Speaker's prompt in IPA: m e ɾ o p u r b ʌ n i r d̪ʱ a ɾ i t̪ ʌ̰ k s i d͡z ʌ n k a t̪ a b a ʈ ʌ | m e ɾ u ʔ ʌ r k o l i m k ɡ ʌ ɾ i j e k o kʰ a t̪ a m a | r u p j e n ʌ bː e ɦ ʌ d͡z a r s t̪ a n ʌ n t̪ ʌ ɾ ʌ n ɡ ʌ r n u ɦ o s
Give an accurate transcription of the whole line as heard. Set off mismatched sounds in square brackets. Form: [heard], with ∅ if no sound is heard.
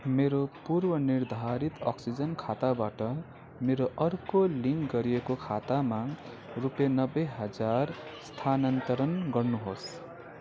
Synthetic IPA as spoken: m e ɾ o p u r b ʌ n i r d̪ʱ a ɾ i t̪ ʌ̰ k s i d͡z ʌ n [kʰ] a t̪ a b a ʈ ʌ | m e ɾ [o] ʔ ʌ r k o l i [ŋ] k ɡ ʌ ɾ i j e k o kʰ a t̪ a m a | r u p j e n ʌ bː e ɦ ʌ d͡z a r s [t̪ʰ] a n ʌ n t̪ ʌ ɾ ʌ n ɡ ʌ r n u ɦ o s